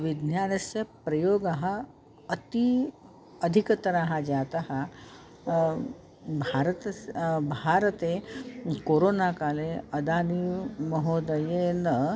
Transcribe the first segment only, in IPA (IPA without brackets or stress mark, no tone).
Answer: ʋ